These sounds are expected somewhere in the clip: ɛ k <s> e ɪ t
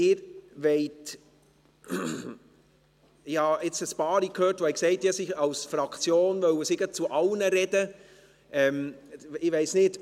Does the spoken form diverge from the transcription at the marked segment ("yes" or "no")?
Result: no